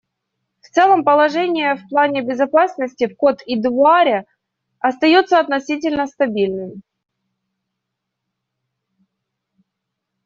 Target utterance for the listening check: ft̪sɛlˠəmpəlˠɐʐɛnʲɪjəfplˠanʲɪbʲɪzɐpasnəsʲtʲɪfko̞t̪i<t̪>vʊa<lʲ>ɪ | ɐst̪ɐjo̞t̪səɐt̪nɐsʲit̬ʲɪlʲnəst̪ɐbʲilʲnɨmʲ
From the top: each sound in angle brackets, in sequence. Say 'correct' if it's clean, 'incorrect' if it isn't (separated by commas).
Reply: incorrect, incorrect